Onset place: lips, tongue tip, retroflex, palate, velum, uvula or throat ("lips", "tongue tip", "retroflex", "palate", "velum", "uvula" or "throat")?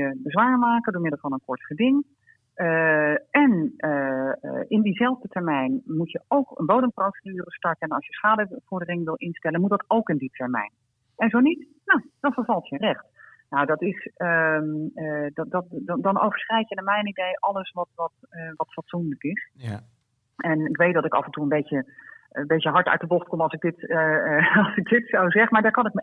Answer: lips